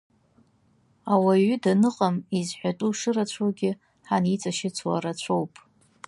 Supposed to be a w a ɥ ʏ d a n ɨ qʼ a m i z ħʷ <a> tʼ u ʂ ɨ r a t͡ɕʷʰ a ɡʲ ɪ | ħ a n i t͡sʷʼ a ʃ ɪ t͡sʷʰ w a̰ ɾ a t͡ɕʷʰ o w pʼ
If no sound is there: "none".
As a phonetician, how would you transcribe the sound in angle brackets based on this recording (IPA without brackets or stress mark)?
a